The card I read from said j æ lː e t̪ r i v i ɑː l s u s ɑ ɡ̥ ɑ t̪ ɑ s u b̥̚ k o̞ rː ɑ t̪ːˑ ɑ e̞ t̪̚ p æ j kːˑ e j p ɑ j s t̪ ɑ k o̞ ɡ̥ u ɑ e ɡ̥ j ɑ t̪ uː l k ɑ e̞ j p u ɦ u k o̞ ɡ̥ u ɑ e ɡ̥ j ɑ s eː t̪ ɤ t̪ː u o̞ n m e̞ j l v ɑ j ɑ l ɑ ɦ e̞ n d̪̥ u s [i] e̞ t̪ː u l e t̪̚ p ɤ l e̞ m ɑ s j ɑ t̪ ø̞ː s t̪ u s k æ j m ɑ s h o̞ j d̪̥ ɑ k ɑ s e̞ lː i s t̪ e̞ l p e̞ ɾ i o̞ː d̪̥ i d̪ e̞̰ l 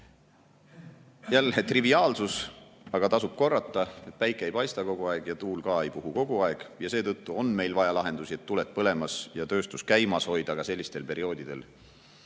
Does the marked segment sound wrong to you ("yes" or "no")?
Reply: no